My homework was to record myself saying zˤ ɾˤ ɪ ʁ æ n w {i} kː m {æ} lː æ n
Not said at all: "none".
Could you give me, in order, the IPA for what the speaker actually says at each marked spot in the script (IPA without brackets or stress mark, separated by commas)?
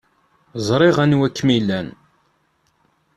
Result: æ, i